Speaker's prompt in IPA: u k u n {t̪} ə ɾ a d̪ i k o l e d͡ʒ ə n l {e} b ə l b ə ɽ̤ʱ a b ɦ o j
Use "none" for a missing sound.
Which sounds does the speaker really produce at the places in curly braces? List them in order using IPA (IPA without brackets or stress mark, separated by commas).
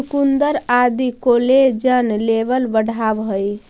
d̪, e